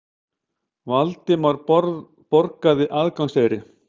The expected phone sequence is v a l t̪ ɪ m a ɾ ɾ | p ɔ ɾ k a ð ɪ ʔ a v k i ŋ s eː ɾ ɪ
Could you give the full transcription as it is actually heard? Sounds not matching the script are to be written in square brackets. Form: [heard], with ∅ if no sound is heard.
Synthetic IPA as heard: v a l t̪ ɪ m a ɾ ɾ | p ɔ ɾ k a ð ɪ ʔ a [ð] k [a] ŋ s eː ɾ ɪ